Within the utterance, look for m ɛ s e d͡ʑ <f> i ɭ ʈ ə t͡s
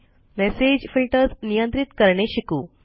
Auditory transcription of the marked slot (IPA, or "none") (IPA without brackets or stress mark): f